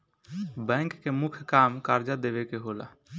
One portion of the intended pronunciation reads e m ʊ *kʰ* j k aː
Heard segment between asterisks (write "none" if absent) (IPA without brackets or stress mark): kʰ